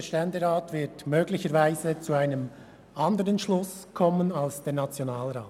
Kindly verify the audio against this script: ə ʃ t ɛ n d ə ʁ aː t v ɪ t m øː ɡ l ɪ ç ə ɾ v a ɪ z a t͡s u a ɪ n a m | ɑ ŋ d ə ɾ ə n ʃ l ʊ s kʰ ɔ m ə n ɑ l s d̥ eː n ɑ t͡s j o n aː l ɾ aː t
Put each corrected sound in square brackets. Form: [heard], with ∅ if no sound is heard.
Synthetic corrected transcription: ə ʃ t ɛ n d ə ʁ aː t v ɪ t m øː ɡ l ɪ ç ə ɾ v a ɪ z [ə] t͡s u a ɪ n [ə] m | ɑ [n] d ə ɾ ə n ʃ l ʊ s kʰ ɔ m ə n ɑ l s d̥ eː n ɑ t͡s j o n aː l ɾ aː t